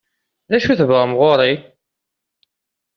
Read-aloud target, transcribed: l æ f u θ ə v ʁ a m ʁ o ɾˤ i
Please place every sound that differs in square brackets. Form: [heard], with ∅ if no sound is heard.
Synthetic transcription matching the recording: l æ [ʃ] u θ ə v ʁ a m ʁ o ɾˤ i